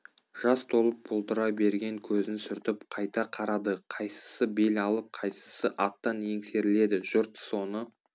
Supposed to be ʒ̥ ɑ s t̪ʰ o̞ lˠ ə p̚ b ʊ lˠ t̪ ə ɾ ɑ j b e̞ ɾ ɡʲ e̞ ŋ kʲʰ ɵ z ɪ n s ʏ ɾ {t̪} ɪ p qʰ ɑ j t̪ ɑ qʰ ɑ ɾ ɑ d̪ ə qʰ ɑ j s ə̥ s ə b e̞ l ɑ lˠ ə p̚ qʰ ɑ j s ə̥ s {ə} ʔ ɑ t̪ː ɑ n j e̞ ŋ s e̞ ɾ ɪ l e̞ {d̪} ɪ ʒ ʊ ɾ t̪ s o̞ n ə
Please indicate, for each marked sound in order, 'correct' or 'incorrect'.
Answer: correct, correct, correct

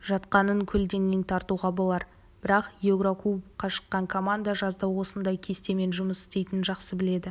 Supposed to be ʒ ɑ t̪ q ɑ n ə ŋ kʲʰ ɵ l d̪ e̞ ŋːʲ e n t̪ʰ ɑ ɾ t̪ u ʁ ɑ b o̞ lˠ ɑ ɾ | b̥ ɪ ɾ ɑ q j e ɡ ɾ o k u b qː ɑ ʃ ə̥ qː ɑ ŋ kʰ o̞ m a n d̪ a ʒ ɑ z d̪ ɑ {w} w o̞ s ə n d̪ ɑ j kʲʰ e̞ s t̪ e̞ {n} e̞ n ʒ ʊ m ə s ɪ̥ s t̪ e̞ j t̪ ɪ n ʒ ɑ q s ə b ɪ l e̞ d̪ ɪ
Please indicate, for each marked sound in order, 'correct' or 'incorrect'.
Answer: correct, incorrect

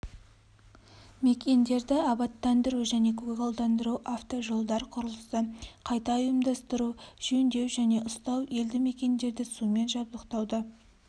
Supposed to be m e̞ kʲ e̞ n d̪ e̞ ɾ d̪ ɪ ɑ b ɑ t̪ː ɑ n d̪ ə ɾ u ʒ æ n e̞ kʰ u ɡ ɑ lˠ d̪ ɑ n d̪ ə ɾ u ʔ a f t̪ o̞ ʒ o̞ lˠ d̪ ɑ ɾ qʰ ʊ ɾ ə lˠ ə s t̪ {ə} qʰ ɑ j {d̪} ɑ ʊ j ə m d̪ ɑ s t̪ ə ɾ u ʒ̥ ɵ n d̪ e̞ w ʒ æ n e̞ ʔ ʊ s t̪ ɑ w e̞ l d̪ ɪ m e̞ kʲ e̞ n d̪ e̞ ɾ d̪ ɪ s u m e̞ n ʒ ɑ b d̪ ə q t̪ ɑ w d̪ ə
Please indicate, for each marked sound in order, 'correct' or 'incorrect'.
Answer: correct, incorrect

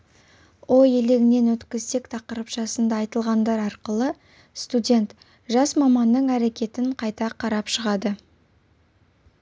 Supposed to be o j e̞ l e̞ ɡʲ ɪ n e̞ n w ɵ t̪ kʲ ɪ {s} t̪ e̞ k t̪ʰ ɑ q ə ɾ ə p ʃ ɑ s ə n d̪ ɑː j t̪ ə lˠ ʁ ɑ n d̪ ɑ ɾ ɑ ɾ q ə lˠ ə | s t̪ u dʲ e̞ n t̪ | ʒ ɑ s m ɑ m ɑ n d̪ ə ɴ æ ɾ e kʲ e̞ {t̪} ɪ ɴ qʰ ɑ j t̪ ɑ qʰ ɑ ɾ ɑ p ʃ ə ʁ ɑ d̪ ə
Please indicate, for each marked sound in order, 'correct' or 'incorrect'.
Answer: incorrect, correct

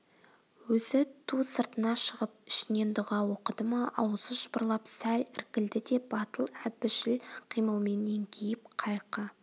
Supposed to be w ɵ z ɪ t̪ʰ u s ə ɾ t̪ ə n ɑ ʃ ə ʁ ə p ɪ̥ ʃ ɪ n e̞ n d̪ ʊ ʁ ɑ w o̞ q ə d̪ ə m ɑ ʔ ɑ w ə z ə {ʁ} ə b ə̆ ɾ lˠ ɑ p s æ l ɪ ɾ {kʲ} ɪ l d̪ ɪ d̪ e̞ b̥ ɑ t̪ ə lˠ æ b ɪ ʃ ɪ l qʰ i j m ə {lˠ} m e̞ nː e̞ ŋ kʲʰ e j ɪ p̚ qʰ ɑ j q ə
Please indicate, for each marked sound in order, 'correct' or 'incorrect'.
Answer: incorrect, correct, correct

